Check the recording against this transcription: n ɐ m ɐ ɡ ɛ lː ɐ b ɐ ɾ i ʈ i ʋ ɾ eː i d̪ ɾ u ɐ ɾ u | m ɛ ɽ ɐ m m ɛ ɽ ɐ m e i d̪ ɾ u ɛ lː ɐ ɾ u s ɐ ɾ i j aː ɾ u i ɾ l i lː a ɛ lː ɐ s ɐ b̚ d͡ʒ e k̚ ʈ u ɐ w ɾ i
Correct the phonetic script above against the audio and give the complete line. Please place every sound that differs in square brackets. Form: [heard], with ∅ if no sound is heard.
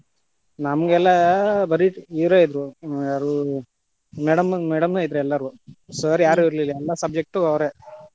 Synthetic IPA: n ɐ m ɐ ɡ ɛ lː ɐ b ɐ ɾ i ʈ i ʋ ɾ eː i d̪ ɾ u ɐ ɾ u | m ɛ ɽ ɐ m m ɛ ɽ ɐ m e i d̪ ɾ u ɛ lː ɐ ɾ u s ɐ ɾ i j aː ɾ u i ɾ l i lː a ɛ lː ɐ s ɐ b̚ d͡ʒ e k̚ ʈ u ɐ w ɾ [e]